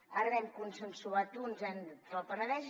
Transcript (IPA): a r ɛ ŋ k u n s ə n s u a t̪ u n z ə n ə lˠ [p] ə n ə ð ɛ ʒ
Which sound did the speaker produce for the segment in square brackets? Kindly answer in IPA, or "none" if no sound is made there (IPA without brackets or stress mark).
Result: p